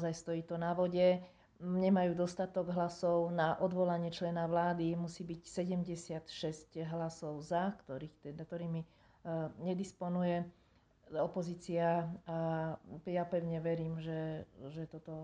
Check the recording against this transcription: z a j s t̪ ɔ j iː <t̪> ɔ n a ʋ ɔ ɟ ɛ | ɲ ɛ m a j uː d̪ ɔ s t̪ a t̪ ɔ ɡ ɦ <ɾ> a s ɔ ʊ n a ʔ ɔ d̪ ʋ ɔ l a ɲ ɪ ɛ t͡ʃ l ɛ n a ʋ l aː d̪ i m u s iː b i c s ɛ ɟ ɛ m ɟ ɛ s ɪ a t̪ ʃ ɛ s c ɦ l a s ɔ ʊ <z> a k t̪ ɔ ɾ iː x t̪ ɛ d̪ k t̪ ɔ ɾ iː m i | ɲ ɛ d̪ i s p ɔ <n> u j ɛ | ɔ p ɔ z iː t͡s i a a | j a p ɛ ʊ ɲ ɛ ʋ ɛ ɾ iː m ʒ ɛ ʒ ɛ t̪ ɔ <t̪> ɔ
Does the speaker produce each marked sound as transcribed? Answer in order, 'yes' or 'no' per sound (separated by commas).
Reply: yes, no, yes, yes, yes